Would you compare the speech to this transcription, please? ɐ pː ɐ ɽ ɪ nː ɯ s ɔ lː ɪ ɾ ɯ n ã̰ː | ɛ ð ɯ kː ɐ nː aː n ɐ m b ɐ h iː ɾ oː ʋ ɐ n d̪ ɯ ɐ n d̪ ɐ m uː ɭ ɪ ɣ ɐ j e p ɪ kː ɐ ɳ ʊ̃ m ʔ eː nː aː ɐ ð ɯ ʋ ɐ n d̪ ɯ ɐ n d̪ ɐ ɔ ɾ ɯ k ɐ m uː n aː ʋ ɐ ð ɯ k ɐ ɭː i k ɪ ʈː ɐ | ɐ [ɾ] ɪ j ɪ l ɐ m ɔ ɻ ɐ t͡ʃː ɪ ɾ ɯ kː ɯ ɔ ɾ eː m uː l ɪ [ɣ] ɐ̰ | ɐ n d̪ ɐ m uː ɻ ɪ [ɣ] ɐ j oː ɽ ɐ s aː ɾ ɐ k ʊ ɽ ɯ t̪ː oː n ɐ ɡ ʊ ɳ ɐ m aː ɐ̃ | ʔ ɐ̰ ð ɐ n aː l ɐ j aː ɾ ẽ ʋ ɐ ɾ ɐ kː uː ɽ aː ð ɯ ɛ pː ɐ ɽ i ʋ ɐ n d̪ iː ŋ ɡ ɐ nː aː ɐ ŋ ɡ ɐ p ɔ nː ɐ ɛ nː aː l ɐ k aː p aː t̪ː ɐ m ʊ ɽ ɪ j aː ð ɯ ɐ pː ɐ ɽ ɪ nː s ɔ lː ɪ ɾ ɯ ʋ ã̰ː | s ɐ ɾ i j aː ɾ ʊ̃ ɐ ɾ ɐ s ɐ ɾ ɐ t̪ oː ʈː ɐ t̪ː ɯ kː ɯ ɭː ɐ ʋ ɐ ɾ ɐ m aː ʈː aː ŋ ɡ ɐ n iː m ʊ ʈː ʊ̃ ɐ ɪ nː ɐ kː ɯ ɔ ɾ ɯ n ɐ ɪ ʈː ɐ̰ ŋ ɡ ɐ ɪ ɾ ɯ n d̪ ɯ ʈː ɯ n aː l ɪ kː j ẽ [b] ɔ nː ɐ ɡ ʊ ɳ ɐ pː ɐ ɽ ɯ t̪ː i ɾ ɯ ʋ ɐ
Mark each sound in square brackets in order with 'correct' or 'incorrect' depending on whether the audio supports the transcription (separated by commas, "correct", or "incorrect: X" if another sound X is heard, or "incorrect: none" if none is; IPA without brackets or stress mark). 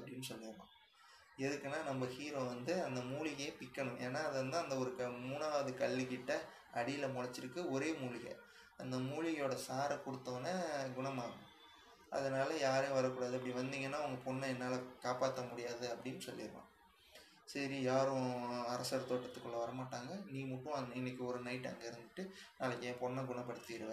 incorrect: ɽ, correct, correct, incorrect: p